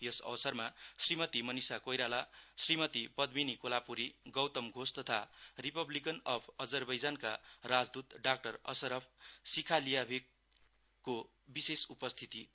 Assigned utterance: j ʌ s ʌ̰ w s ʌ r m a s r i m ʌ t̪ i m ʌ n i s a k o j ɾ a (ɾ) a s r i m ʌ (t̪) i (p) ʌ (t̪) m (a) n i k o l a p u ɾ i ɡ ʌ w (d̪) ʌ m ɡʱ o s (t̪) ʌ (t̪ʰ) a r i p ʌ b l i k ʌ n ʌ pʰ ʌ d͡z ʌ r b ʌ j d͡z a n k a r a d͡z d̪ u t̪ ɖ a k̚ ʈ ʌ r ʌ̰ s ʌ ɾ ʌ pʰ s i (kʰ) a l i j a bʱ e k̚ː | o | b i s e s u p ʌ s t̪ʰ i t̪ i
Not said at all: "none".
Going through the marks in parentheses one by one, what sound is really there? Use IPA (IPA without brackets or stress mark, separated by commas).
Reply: l, t̪, p, d̪, i, t̪, t̪, t̪ʰ, kʰ